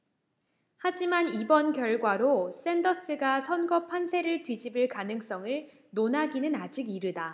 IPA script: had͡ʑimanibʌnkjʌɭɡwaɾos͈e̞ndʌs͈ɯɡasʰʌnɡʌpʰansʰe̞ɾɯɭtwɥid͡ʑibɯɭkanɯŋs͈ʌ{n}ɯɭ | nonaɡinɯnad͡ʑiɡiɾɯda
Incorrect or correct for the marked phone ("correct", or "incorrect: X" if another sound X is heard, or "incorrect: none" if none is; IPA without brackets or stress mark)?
incorrect: ŋ